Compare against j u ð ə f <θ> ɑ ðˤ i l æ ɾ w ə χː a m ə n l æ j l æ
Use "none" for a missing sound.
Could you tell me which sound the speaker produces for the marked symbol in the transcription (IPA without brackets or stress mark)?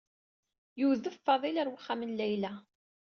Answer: f